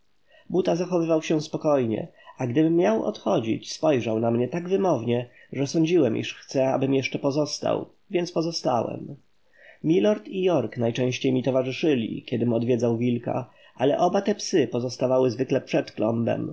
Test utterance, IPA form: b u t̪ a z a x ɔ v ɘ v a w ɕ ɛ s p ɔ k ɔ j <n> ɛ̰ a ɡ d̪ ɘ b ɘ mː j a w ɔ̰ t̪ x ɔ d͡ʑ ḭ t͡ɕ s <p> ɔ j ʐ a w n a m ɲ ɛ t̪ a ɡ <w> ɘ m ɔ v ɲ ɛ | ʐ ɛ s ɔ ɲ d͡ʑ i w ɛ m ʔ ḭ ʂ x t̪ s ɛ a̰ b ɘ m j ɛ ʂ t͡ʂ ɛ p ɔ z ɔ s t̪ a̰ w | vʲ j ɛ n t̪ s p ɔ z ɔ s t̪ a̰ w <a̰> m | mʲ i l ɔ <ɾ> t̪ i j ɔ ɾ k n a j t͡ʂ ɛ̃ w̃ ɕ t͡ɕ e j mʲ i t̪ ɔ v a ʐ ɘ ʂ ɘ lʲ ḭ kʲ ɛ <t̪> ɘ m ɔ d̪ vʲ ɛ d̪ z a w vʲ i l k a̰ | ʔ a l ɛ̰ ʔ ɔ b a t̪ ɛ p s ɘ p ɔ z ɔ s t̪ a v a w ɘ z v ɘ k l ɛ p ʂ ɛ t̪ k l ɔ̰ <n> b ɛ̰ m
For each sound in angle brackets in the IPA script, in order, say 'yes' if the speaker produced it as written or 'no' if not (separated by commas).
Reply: no, yes, no, no, yes, no, no